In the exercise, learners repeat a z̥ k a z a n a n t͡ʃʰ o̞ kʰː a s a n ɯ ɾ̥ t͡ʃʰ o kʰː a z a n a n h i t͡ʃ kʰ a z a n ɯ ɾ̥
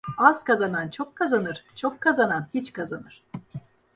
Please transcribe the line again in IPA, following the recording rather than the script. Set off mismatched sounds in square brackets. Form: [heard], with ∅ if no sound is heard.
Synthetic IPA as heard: a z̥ k a z a n a n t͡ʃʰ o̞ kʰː a [z] a n ɯ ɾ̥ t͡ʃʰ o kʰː a z a n a n h i t͡ʃ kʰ a z a n ɯ ɾ̥